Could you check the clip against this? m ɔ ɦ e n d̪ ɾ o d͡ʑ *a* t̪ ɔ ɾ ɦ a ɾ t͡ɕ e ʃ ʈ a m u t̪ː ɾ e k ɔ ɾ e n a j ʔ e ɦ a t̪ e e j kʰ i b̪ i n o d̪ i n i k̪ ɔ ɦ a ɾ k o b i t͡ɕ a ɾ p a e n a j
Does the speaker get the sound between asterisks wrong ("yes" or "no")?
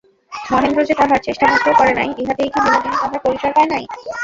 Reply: yes